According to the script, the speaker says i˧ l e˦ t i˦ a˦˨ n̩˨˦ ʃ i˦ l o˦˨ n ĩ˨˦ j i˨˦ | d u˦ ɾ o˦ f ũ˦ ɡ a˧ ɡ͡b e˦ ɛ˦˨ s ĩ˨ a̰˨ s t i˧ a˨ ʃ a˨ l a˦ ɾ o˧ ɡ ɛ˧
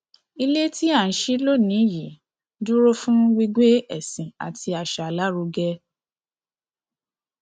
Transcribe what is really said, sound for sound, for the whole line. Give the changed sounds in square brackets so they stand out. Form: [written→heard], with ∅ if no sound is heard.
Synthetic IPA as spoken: i˧ l e˦ t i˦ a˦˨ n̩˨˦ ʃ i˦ l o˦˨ n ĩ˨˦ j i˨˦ | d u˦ ɾ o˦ f ũ˦ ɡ [a˧→i˧] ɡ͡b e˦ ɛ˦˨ s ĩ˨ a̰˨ [s→∅] t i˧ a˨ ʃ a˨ l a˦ ɾ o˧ ɡ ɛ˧